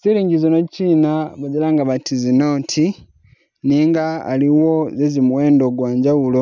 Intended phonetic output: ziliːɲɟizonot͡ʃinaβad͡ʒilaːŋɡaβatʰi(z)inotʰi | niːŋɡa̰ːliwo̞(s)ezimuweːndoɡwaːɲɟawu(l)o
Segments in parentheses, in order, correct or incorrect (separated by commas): correct, incorrect, correct